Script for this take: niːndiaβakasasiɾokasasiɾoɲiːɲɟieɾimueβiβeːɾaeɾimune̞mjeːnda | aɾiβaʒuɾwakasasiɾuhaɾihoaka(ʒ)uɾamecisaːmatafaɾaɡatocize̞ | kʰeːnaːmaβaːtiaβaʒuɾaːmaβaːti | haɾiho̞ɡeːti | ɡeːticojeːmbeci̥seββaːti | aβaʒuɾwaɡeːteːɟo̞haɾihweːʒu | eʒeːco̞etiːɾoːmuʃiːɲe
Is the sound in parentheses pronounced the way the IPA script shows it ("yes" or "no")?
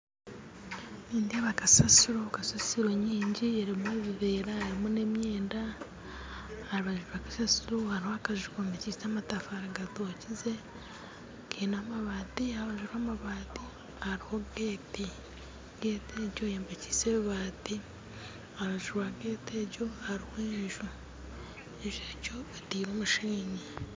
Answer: yes